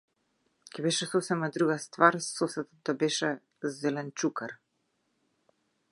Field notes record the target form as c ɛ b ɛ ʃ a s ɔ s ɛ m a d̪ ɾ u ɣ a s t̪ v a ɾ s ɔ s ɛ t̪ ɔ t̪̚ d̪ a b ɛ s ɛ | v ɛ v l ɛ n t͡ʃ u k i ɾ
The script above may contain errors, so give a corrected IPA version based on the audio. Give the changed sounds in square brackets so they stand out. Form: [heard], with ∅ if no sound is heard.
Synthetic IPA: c ɛ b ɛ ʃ [ɛ] s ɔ s ɛ m a d̪ ɾ u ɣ a s t̪ v a ɾ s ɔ s ɛ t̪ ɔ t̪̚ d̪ a b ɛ [ʃ] ɛ | [z] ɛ [∅] l ɛ n t͡ʃ u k [a] ɾ